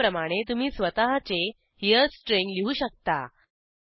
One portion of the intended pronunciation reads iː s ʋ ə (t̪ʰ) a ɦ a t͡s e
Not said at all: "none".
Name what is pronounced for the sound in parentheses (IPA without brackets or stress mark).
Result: t̪